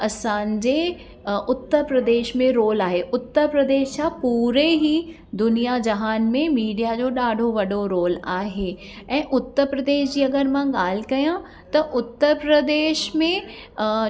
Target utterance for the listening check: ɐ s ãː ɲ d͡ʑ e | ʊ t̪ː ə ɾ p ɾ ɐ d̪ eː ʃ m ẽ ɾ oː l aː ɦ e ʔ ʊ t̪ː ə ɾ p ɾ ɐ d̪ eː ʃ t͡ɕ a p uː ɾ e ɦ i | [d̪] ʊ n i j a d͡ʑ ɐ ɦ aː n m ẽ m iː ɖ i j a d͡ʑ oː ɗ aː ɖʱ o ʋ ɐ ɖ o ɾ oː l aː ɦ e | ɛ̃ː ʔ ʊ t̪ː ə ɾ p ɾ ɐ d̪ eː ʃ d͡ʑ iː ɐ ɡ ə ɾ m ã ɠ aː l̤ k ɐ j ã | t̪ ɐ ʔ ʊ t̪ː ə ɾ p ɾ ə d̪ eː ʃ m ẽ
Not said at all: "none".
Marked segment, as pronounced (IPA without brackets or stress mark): d̪